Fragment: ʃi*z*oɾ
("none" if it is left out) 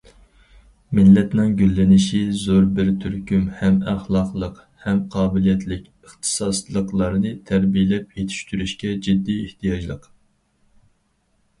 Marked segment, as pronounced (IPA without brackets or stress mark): z